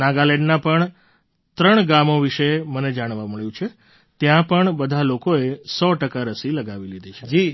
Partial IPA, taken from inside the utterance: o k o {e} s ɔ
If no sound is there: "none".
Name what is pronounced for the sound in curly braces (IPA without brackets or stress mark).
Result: e